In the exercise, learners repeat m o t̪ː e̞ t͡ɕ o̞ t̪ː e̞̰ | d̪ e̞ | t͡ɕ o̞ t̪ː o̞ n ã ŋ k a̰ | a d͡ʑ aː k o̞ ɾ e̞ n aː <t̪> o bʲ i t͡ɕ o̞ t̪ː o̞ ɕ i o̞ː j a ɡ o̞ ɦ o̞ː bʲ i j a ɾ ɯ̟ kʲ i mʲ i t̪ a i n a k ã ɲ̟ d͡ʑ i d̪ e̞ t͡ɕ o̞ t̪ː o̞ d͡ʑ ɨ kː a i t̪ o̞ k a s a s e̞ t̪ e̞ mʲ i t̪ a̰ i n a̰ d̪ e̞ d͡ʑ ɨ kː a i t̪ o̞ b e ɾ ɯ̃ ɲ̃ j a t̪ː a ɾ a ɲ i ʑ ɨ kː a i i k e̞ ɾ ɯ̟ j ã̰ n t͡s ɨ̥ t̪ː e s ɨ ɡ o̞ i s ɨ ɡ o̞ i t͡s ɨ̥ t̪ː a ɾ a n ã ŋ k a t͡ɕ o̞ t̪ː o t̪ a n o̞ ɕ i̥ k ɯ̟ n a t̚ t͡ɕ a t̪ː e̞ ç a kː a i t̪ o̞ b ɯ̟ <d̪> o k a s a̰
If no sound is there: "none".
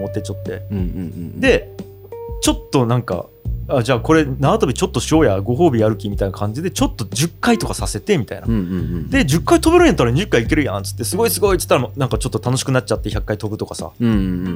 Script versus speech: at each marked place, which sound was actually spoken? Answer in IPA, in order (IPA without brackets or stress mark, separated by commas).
t̪, t̪